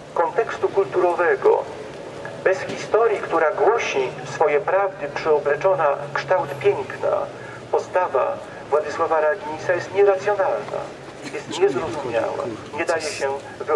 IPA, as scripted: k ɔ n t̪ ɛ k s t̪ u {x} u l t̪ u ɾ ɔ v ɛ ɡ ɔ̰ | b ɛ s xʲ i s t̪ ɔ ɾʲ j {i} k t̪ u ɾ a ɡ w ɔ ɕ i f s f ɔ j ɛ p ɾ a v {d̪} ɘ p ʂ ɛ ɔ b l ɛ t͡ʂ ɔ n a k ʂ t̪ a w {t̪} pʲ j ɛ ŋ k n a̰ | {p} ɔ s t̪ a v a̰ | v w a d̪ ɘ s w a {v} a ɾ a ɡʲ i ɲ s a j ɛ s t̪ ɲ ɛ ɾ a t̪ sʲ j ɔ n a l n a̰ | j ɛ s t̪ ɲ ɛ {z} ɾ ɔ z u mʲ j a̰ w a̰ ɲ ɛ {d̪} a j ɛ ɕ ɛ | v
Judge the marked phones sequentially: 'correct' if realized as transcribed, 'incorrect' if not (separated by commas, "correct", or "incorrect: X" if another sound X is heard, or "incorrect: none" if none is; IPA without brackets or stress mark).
incorrect: k, correct, correct, correct, correct, correct, correct, correct